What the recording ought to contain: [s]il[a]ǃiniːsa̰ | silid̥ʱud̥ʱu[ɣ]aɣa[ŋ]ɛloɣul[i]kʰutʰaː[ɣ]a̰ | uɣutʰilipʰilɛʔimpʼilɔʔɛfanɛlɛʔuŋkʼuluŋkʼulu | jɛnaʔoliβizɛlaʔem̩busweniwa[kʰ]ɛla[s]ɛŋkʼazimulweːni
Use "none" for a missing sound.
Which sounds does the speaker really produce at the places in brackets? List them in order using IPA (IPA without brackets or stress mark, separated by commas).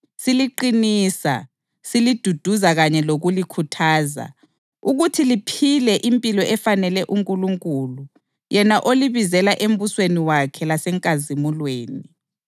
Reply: s, i, z, ɲ, i, z, kʰ, s